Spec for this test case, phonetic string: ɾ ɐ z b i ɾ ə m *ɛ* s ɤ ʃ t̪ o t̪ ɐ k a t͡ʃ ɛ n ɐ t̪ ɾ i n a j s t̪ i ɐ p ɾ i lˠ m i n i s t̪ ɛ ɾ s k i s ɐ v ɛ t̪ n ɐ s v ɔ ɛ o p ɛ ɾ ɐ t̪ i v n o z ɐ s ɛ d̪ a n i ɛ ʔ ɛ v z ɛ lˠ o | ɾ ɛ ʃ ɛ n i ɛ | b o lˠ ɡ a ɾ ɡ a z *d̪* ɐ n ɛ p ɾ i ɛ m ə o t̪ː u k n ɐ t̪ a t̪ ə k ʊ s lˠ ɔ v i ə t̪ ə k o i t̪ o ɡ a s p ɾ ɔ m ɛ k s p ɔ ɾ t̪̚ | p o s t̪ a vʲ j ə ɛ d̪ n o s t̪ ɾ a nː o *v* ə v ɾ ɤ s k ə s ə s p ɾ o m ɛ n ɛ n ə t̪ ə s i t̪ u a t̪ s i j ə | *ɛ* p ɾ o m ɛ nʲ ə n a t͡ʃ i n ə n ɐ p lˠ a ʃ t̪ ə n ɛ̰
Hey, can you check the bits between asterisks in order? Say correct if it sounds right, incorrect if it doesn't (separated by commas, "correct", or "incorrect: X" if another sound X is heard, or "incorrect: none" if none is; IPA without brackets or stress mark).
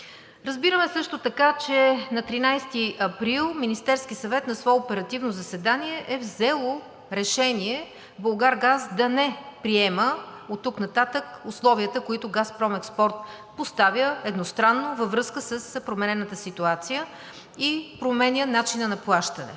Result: correct, correct, correct, incorrect: i